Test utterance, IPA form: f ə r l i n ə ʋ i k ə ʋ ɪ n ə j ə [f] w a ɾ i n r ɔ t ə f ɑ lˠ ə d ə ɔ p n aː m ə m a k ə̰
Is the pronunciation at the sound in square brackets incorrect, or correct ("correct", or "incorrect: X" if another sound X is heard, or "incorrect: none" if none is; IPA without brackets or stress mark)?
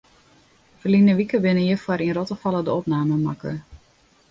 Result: correct